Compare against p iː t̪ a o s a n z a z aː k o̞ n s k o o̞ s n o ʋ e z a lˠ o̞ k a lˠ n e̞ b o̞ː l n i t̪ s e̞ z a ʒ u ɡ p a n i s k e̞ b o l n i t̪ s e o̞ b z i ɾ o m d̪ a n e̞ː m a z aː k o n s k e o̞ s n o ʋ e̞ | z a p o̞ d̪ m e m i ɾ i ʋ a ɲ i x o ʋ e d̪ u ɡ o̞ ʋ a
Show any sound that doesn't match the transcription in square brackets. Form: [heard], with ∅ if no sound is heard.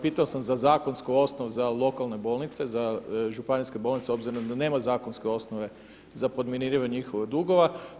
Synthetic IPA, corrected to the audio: p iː t̪ a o s a [m] z a z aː k o̞ n s k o o̞ s n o ʋ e z a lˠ o̞ k a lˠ n e̞ b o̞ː l n i t̪ s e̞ z a ʒ u [∅] p a n i s k e̞ b o l n i t̪ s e o̞ b z i ɾ o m d̪ a n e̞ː m a z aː k o n s k e o̞ s n o ʋ e̞ | z a p o̞ d̪ m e [n] i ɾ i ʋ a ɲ i x o ʋ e d̪ u ɡ o̞ ʋ a